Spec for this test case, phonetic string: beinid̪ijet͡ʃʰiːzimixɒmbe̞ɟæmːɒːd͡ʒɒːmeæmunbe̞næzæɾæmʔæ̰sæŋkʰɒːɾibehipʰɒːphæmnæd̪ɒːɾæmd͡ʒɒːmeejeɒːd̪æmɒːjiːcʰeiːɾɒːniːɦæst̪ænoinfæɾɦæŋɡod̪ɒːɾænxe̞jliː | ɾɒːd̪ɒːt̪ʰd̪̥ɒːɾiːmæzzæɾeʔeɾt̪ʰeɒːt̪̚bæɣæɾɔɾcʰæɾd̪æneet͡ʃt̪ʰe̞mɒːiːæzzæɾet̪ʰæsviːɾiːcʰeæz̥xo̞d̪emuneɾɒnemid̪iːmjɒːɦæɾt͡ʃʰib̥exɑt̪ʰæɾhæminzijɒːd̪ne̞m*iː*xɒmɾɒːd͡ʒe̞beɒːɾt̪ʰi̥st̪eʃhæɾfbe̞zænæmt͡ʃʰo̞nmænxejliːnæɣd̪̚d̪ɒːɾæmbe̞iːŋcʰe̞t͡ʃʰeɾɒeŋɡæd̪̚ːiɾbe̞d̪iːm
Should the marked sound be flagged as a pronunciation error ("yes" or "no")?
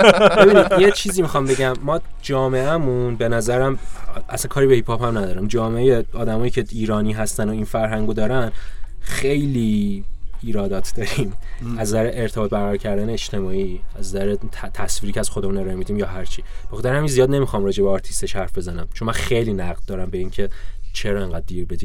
yes